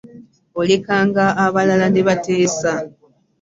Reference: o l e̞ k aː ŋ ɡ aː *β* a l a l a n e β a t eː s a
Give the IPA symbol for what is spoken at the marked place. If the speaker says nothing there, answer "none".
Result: β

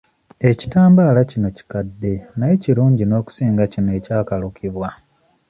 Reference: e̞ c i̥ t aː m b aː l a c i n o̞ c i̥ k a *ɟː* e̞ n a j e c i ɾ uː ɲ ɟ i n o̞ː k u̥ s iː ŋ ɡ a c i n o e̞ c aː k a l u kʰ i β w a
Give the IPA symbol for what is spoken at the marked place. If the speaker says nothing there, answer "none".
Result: dː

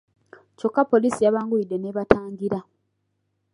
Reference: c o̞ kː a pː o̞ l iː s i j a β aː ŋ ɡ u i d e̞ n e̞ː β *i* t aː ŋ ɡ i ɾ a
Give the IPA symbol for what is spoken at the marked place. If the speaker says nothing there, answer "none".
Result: a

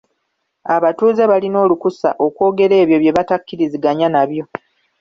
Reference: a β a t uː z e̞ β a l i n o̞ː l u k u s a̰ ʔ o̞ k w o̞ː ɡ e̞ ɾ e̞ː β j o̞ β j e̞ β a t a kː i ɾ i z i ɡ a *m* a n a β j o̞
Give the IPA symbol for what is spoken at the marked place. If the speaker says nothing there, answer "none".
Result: ɲ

